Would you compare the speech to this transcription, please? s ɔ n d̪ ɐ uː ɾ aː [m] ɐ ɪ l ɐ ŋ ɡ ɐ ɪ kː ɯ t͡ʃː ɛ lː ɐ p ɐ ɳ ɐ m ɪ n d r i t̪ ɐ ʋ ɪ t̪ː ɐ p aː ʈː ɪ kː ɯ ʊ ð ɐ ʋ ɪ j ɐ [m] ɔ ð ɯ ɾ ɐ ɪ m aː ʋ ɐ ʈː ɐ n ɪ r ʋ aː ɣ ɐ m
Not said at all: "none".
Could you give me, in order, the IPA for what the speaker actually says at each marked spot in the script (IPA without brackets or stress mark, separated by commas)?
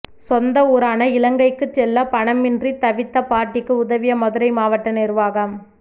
n, m